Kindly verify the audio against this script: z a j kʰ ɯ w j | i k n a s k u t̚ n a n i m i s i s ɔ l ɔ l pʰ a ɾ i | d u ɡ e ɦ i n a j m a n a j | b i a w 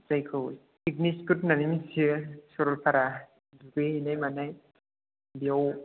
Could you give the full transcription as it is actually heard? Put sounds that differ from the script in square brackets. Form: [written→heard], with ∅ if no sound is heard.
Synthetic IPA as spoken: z a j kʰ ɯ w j | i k n [a→i] s k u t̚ n a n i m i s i s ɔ [l→ɾ] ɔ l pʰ a ɾ [i→a] | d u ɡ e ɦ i n a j m a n a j | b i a w